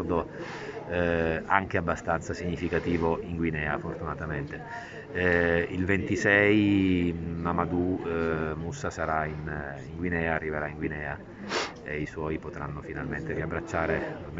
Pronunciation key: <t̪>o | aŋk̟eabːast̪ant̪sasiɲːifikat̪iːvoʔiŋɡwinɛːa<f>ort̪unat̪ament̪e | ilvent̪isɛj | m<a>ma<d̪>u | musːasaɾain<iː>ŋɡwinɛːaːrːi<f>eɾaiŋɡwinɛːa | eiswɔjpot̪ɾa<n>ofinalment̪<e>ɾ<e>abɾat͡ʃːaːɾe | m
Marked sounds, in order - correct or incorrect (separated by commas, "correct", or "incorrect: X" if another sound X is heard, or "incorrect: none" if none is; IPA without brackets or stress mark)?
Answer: incorrect: d̪, correct, correct, correct, incorrect: i, incorrect: v, incorrect: nː, correct, incorrect: i